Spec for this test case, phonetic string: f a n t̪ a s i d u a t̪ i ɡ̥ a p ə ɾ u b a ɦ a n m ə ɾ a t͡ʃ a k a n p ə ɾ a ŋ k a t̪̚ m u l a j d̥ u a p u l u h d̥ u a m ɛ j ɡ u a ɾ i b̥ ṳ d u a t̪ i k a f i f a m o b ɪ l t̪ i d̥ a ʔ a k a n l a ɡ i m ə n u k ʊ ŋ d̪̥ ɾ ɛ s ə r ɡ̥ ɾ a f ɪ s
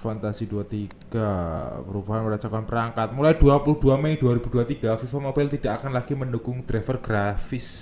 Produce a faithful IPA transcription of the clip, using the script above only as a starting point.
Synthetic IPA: f a n t̪ a s i d u a t̪ i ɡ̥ a p ə ɾ u b a ɦ a n m ə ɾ a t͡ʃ a k a n p ə ɾ a ŋ k a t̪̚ m u l a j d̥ u a p u l u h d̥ u a m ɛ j d u a ɾ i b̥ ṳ d u a t̪ i ɡ a f i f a m o b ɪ l t̪ i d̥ a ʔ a k a n l a ɡ i m ə n u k ʊ ŋ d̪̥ ɾ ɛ f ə r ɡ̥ ɾ a f ɪ s